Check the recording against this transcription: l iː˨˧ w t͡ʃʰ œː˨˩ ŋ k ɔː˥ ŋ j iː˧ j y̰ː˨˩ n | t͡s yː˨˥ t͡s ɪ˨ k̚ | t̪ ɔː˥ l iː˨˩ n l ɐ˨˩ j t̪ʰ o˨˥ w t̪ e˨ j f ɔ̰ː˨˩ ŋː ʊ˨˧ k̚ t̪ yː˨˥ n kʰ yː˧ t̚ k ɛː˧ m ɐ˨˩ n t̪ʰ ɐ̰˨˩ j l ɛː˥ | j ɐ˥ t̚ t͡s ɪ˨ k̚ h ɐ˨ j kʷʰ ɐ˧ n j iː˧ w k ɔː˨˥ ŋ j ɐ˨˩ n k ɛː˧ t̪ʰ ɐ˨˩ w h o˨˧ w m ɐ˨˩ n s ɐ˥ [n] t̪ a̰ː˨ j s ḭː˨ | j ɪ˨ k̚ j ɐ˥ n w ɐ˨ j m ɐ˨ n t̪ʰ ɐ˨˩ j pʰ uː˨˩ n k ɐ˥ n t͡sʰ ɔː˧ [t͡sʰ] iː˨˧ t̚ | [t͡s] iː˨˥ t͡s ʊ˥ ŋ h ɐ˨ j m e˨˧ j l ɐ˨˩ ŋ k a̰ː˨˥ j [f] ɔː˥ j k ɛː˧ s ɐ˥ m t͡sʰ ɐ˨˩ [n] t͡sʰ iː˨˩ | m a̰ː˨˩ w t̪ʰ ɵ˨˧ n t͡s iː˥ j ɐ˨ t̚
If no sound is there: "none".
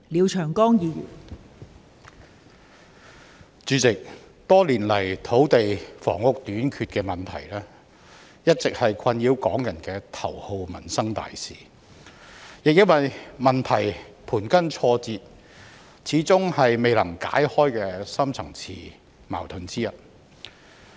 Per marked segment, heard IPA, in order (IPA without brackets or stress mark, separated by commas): ŋ, t͡s, t͡sʰ, h, ŋ